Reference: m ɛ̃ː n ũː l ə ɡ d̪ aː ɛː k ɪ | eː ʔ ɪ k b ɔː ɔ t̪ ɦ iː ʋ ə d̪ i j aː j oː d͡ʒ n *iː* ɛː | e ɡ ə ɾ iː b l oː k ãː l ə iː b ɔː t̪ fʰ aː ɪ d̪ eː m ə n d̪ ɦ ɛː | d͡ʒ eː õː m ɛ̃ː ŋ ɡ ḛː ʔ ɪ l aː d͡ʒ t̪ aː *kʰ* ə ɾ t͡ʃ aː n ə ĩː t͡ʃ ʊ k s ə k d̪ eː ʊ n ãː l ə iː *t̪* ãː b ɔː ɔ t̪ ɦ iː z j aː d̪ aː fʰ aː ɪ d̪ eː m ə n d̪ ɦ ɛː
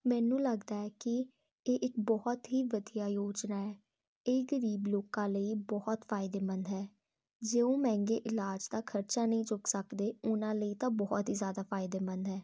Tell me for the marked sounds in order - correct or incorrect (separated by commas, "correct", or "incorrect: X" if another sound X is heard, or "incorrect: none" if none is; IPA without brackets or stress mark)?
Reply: incorrect: aː, correct, correct